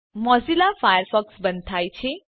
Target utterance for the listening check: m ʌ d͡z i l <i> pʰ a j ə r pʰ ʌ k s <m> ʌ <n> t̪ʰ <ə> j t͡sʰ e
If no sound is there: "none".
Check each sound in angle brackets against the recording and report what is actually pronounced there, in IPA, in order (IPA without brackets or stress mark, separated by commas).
a, b, n, a